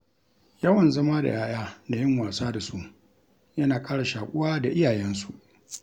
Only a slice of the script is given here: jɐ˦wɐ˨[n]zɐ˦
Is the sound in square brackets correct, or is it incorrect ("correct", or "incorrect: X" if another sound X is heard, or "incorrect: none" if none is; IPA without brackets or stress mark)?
correct